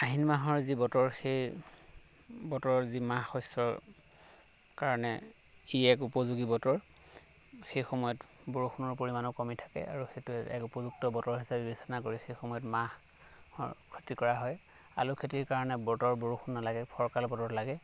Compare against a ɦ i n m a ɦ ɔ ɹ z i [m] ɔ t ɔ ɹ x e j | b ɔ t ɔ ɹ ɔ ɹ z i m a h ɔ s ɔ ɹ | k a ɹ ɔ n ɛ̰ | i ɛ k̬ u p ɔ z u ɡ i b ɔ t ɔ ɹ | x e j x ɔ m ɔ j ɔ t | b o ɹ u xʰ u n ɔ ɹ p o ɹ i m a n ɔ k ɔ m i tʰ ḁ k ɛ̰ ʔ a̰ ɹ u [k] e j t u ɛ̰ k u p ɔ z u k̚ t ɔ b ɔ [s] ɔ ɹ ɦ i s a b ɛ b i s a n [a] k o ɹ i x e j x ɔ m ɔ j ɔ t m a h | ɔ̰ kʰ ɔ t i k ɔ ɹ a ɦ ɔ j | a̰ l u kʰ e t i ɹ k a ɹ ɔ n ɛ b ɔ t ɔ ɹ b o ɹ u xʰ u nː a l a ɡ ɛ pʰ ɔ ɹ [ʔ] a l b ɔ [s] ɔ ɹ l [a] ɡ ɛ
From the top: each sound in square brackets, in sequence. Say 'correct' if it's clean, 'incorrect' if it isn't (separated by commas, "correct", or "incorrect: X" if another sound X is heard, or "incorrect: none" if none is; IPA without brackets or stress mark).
incorrect: b, incorrect: x, incorrect: t, correct, incorrect: k, incorrect: t, correct